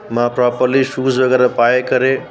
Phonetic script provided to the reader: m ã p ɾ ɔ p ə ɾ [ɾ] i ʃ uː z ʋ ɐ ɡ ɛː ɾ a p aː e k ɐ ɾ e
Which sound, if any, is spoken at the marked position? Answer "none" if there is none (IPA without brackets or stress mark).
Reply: l